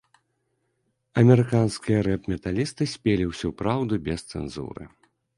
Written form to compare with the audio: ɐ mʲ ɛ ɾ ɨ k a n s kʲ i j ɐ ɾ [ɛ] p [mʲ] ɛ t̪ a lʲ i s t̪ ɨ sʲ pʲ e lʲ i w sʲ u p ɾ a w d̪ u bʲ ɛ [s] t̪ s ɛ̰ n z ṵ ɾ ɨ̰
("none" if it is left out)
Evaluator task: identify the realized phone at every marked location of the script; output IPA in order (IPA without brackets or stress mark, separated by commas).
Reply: ɛ, mʲ, s